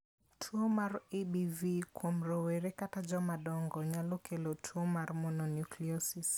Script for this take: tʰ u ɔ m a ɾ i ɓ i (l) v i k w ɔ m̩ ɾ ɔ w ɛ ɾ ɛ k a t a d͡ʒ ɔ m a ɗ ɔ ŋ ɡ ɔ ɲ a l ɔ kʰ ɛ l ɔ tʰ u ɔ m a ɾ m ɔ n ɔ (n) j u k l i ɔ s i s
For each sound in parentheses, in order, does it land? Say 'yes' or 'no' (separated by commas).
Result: no, yes